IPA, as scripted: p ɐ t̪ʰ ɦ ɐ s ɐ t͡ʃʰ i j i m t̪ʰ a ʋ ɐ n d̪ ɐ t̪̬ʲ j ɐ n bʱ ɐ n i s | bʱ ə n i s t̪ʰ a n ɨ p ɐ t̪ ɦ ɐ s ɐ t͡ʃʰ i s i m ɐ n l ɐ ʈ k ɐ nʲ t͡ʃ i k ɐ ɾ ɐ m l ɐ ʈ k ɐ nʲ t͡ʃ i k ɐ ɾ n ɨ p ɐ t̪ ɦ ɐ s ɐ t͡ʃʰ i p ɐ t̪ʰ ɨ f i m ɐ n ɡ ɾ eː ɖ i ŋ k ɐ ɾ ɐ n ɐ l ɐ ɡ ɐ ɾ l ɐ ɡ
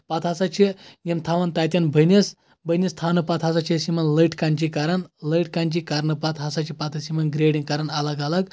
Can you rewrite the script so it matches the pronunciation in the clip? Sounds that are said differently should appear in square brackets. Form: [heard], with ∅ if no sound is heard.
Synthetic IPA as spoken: p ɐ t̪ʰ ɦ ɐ s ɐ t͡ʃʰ i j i m t̪ʰ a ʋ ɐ n [t̪] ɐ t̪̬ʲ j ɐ n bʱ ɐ n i s | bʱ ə n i s t̪ʰ a n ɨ p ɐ t̪ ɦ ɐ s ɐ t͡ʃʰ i s i m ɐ n l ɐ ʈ k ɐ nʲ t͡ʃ i k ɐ ɾ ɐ [n] l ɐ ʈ k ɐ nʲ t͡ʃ i k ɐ ɾ n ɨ p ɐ t̪ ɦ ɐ s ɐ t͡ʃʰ i p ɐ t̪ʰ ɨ [s] i m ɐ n ɡ ɾ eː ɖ i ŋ k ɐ ɾ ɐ n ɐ l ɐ ɡ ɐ [∅] l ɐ ɡ